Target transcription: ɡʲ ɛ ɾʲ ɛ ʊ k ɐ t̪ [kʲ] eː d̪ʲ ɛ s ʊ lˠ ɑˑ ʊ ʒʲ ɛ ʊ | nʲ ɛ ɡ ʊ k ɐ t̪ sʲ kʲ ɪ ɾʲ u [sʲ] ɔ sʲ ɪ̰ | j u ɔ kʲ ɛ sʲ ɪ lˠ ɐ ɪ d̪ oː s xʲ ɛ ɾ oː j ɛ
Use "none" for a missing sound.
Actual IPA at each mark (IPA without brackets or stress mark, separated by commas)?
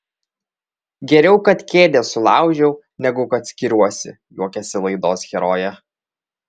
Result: kʲ, none